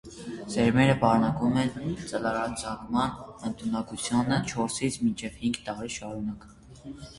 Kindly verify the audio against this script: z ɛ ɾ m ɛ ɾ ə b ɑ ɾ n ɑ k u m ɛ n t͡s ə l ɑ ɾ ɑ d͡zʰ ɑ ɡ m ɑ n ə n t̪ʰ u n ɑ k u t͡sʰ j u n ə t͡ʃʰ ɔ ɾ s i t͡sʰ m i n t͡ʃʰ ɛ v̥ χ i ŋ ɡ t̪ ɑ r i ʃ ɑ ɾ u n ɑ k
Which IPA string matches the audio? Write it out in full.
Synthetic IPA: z ɛ ɾ m ɛ ɾ ə b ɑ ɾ n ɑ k u m ɛ n t͡s ə l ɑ ɾ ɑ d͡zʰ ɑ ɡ m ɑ n ə n t̪ʰ u n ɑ k u t͡sʰ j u n ə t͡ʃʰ ɔ ɾ s i t͡sʰ m i n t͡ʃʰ ɛ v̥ h i ŋ ɡ t̪ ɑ ɾ i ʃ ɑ ɾ u n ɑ k